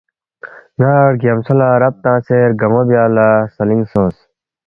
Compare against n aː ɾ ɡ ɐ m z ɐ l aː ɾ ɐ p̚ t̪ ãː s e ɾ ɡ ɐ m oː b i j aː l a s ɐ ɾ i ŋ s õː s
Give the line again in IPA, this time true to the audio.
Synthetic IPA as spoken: n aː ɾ ɡ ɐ m s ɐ l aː ɾ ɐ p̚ t̪ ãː s e ɾ ɡ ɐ m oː b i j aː l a s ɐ l i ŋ s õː s